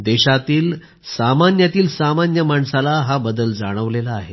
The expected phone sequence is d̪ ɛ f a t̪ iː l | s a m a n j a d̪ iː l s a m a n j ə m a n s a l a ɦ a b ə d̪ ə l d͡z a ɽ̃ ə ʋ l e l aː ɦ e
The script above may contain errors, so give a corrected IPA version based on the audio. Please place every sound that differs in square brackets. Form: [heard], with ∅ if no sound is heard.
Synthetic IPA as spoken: d̪ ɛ [ɕ] a t̪ iː l | s a m a n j a [t̪] iː l s a m a n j ə m a [ɳ] s a l a ɦ a b ə d̪ ə l d͡z a ɽ̃ ə ʋ l e l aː ɦ e